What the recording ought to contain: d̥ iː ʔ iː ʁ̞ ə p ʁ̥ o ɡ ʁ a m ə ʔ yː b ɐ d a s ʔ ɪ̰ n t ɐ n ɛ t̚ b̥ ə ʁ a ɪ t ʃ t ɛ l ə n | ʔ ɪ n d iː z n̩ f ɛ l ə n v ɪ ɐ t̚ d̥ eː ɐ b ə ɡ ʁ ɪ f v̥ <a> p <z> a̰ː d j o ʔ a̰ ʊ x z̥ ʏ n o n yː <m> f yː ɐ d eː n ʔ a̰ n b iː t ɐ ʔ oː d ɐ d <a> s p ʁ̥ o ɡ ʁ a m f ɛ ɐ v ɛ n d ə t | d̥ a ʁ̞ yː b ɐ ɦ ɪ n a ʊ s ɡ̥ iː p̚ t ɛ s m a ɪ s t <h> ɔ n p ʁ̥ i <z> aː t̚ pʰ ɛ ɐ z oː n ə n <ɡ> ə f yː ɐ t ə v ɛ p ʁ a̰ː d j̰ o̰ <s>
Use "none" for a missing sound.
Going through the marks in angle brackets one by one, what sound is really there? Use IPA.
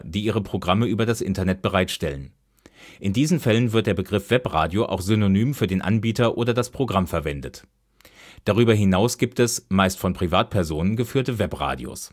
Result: ɛ, ʁ, m, a, f, v, ɡ, s

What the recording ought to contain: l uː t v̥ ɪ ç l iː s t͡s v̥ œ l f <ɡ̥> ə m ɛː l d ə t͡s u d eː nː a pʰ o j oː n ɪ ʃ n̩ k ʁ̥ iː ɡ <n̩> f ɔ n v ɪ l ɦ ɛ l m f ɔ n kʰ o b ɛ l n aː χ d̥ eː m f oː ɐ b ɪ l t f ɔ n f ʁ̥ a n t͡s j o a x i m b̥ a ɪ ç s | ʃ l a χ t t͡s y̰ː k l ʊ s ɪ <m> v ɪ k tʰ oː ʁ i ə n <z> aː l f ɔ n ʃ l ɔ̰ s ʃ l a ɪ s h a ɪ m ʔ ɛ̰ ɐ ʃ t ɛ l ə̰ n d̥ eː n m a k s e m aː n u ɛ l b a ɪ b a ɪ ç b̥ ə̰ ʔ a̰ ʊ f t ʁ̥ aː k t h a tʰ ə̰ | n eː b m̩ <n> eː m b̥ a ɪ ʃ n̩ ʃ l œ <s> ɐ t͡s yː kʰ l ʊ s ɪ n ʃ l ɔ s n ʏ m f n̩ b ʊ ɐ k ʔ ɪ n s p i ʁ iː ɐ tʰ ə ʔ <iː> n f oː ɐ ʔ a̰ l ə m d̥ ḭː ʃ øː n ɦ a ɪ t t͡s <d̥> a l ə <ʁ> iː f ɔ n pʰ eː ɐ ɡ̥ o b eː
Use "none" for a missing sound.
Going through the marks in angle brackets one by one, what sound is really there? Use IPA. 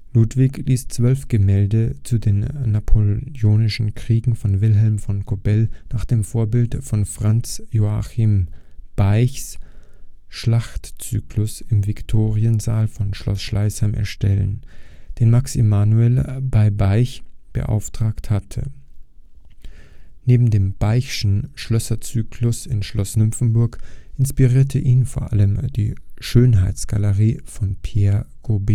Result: ɡ̥, ŋ̩, m, z, d, s, iː, ɡ̥, ʁ

